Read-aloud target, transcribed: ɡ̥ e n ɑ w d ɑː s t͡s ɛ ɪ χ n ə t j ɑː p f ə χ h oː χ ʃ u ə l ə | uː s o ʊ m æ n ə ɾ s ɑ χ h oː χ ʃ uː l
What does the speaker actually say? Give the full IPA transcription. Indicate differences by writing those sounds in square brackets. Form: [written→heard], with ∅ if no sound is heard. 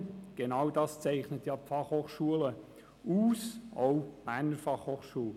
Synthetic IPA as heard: ɡ̥ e n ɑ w d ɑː s t͡s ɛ ɪ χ n ə t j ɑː p f [ə→ɑ] χ h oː χ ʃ u ə l ə | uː s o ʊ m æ n ə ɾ [s→f] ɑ χ h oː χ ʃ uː l